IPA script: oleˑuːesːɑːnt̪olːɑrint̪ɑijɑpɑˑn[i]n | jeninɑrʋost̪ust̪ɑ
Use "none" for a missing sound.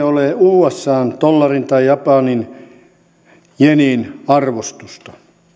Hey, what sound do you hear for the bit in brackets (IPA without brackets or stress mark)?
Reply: i